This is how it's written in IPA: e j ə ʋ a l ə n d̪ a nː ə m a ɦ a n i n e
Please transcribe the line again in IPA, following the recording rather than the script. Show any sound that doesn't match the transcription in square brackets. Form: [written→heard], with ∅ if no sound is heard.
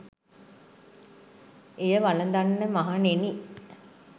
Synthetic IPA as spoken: e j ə ʋ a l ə n d̪ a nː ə m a ɦ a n [i→e] n [e→i]